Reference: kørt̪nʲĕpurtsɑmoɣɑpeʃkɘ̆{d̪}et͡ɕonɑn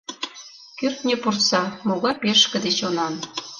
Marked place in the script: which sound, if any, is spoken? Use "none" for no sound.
d̪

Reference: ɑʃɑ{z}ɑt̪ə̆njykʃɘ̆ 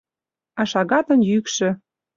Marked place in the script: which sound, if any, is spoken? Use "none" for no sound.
ɣ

